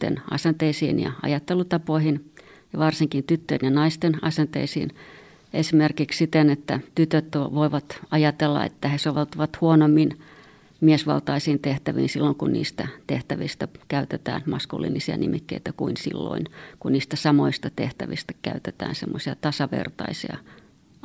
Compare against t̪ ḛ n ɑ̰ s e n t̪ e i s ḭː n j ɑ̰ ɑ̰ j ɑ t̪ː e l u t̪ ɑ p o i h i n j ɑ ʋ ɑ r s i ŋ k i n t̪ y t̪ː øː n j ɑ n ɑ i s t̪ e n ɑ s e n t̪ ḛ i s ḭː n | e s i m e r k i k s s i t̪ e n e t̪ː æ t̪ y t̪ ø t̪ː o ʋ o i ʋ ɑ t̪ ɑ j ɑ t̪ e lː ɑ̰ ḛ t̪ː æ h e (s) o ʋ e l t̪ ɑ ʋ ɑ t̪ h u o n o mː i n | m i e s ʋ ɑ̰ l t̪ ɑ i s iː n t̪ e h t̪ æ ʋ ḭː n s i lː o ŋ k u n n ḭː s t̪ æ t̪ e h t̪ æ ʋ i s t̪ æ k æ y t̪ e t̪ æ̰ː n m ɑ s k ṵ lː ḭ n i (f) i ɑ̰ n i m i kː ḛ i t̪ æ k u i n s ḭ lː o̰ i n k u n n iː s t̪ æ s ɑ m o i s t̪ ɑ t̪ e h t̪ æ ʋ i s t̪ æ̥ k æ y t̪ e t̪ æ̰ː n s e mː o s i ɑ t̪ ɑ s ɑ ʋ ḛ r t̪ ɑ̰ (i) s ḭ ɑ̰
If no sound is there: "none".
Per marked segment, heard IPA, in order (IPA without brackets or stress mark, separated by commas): s, s, i